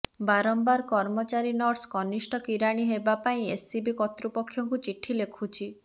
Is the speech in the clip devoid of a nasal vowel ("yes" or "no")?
no